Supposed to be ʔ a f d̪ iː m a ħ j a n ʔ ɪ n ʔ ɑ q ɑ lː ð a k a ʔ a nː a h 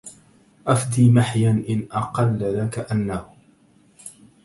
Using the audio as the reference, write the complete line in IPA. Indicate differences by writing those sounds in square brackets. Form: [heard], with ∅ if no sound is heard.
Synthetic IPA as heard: ʔ a f d̪ iː m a ħ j a n ʔ ɪ n ʔ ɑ q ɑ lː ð a k a ʔ a nː a h